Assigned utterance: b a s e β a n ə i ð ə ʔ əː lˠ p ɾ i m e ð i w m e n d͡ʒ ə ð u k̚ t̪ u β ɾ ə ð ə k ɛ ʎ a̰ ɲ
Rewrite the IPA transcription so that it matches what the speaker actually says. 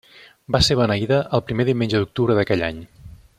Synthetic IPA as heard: b a s e β ə n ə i ð ə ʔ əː lˠ p ɾ i m e ð i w m e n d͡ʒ ə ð u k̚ t̪ u β ɾ ə ð ə k ɛ ʎ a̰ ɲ